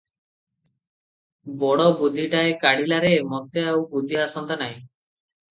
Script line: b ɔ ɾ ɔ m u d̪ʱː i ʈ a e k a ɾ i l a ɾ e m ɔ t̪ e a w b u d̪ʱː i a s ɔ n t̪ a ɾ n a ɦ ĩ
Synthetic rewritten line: b ɔ ɽ ɔ b u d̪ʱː i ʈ a e k a ɽ i l a ɾ e m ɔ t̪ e a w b u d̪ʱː i a s ɔ n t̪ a n a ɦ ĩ